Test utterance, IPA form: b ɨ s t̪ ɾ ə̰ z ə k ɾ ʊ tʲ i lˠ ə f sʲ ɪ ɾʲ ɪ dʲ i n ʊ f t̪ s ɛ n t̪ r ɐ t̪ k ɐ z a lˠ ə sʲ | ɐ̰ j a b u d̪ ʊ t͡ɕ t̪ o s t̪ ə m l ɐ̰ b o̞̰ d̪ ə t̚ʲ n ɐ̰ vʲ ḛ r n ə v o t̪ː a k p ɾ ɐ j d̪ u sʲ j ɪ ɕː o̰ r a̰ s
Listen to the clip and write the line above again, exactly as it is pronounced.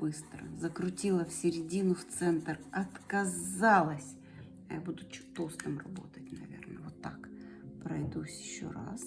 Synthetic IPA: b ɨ s t̪ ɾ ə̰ z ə k ɾ ʊ tʲ i lˠ ə f sʲ ɪ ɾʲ ɪ dʲ i n ʊ f t̪ s ɛ n t̪ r ɐ t̪ k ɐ z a lˠ ə sʲ | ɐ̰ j a b u d̪ ʊ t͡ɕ t̪ o s t̪ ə m r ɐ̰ b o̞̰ t̪ ə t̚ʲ n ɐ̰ vʲ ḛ r n ə v o t̪ː a k p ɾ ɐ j d̪ u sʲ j ɪ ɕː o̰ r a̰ s